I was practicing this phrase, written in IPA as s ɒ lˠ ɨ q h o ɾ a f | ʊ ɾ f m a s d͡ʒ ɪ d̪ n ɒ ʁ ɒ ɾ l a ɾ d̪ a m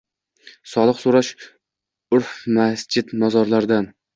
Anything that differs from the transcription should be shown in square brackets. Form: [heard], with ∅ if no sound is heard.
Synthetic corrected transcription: s ɒ lˠ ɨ q [s] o ɾ a [ʃ] | ʊ ɾ f m a s d͡ʒ ɪ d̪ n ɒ [z] ɒ ɾ l a ɾ d̪ a [n]